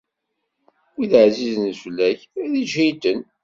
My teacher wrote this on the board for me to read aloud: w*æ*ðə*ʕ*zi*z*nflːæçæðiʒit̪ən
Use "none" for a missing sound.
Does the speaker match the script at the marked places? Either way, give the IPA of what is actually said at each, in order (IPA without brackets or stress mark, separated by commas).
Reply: i, ʕ, z